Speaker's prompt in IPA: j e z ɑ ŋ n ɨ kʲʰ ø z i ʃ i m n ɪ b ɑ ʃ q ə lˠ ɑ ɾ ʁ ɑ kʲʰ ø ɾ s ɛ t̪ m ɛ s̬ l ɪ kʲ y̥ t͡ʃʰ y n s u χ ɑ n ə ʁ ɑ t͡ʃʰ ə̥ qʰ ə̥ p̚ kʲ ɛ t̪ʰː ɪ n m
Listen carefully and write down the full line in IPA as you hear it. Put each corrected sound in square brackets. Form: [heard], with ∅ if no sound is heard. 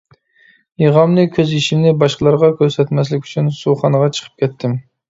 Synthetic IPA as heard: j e [ʁ] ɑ [m] n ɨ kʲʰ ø z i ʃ i m n ɪ b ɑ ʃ q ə lˠ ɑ ɾ ʁ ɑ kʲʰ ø ɾ s ɛ t̪ m ɛ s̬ l ɪ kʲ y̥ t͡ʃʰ y n s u χ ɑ n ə ʁ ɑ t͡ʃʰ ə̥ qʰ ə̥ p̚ kʲ ɛ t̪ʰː ɪ [∅] m